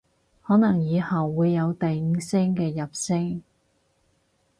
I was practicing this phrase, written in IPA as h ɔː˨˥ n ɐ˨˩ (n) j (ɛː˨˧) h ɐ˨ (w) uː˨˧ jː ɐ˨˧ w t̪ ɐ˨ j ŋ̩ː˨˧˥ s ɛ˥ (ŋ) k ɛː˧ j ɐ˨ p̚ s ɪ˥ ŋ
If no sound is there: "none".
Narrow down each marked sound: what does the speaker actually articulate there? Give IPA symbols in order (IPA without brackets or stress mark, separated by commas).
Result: ŋ, iː˨˧, wː, ŋ